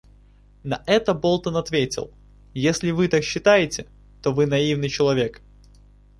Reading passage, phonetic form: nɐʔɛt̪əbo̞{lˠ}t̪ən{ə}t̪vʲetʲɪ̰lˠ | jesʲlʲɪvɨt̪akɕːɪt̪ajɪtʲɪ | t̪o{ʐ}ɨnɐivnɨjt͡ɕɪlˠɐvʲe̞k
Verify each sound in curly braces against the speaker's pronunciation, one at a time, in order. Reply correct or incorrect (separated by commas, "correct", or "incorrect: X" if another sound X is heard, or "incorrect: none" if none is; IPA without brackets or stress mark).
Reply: correct, incorrect: ɐ, incorrect: v